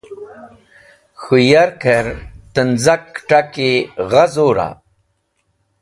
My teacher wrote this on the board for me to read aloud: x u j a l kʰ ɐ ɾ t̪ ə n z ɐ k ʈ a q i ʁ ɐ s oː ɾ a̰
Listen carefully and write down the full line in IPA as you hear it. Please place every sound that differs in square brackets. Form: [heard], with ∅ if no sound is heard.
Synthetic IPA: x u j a [ɾ] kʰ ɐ ɾ t̪ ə n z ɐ k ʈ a [k] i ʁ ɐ [z] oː ɾ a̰